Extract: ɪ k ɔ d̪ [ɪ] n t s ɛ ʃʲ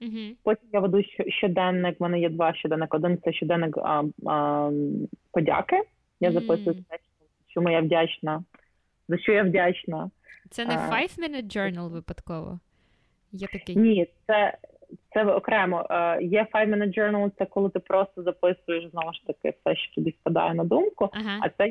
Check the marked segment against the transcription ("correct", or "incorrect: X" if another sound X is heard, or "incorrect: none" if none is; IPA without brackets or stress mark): correct